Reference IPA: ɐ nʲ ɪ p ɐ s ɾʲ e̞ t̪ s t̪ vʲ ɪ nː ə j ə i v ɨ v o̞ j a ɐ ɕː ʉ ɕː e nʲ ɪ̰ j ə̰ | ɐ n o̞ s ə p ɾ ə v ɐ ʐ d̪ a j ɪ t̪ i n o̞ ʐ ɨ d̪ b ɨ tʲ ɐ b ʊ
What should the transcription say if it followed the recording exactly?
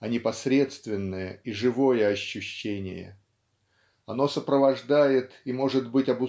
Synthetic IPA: ɐ nʲ ɪ p ɐ s ɾʲ e̞ t̪ s t̪ vʲ ɪ nː ə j ə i ʐ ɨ v o̞ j ə ɐ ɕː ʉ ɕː e nʲ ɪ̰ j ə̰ | ɐ n o̞ s ə p ɾ ə v ɐ ʐ d̪ a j ɪ t̪ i m o̞ ʐ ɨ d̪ b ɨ tʲ ɐ b ʊ